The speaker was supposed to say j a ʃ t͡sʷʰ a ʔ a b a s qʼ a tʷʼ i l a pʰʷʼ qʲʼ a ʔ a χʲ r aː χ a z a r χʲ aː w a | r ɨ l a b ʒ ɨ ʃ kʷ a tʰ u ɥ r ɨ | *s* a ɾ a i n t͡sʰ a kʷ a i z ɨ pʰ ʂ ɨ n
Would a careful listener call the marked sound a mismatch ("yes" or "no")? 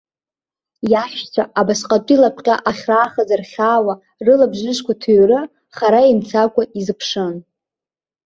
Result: yes